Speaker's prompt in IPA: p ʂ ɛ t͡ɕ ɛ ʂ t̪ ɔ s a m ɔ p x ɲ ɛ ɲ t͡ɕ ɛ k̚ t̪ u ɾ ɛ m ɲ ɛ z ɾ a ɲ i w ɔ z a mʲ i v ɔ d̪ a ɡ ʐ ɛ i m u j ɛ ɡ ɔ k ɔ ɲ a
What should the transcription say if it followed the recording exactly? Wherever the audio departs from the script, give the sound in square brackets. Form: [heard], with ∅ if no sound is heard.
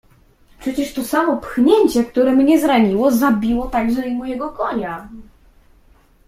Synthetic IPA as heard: p ʂ ɛ t͡ɕ ɛ ʂ t̪ ɔ s a m ɔ p x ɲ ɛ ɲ t͡ɕ ɛ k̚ t̪ u ɾ ɛ m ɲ ɛ z ɾ a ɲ i w ɔ z a [bʲ] i [w] ɔ [t̪] a ɡ ʐ ɛ i m u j ɛ ɡ ɔ k ɔ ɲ a